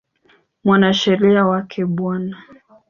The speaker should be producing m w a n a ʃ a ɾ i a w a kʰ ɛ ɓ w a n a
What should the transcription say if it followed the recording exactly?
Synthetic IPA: m w a n a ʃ ɛ ɾ i a w a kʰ ɛ ɓ w a n a

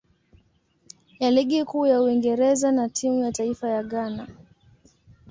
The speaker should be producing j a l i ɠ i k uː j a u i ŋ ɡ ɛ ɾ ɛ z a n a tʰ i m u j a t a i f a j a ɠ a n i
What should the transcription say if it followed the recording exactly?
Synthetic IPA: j a l i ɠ i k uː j a u i ŋ ɡ ɛ ɾ ɛ z a n a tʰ i m u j a t a i f a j a ɠ a n a

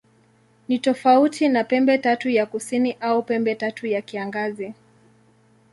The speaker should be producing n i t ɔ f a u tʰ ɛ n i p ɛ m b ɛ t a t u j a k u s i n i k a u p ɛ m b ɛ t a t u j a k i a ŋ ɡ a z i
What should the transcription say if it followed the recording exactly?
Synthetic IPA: n i t ɔ f a u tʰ i n a p ɛ m b ɛ t a t u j a k u s i n i ʔ a u p ɛ m b ɛ t a t u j a k i a ŋ ɡ a z i

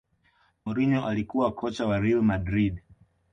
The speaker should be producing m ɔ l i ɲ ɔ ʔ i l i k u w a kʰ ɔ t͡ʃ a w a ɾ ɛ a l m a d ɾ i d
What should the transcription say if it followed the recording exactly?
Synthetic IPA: m ɔ ɾ i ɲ ɔ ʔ a l i k u w a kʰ ɔ t͡ʃ a w a ɾ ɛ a l m a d ɾ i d

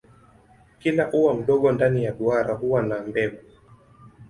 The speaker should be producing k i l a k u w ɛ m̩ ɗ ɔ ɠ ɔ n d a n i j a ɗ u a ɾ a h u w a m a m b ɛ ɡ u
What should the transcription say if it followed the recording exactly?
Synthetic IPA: k i l a ʔ u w a m̩ ɗ ɔ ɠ ɔ n d a n i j a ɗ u a ɾ a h u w a n a m b ɛ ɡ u

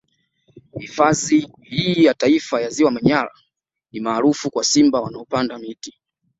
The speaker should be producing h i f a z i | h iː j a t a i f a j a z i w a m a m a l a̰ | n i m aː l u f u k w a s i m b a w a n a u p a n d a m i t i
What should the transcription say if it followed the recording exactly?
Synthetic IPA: h i f a z i | h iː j a t a i f a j a z i w a m a ɲ a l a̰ | n i m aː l u f u k w a s i m b a w a n a ɔ p a n d a m i t i

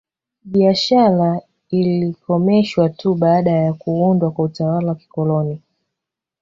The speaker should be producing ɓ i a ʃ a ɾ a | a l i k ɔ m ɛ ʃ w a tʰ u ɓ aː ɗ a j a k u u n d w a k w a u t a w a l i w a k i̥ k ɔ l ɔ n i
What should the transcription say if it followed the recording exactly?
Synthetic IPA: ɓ i a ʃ a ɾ a | i l i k ɔ m ɛ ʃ w a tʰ u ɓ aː ɗ a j a k u u n d w a k w a u t a w a l a w a k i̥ k ɔ l ɔ n i

